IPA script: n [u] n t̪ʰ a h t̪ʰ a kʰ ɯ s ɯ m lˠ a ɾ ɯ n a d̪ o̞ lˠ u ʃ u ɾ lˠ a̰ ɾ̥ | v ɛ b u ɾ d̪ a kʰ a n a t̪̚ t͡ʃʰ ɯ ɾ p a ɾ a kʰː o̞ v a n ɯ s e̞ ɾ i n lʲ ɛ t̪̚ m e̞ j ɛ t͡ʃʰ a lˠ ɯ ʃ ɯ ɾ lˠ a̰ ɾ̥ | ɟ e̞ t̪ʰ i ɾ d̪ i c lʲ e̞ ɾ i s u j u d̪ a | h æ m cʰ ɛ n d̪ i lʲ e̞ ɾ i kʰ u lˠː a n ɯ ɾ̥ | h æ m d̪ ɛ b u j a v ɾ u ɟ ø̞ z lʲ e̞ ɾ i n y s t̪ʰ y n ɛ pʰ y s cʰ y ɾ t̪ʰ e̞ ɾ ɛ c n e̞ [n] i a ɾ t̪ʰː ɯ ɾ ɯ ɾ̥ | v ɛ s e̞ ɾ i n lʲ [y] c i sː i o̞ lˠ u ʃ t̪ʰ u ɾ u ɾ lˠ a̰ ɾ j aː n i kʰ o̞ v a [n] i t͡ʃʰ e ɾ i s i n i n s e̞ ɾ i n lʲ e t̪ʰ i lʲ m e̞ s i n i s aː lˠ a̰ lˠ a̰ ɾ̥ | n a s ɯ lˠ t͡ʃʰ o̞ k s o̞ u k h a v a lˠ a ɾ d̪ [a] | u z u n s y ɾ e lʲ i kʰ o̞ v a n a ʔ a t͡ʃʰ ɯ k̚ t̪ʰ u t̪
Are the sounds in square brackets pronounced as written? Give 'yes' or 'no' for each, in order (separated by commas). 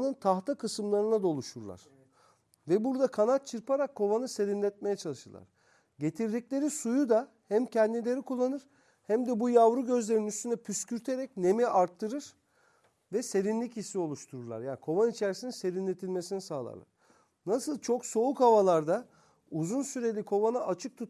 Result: no, no, no, yes, yes